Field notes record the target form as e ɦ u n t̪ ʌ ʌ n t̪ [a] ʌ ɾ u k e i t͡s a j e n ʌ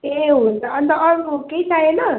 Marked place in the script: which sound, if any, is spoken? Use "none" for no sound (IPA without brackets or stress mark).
ʌ